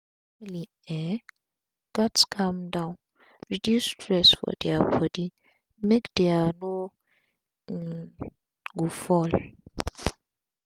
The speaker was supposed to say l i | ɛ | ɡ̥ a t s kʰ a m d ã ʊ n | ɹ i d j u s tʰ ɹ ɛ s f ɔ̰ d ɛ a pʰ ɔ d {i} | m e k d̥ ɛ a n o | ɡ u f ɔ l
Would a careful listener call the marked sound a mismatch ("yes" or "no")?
no